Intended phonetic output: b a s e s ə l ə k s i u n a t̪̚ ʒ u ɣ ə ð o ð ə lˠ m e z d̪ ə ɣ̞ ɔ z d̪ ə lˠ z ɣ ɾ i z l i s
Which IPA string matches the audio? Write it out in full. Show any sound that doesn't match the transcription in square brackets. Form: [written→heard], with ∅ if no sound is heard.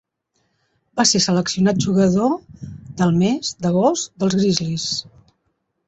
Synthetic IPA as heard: b a s e s ə l ə k s i u n a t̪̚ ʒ u ɣ ə ð o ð ə lˠ m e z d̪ ə ɣ̞ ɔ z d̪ ə lˠ z ɣ ɾ i z l i s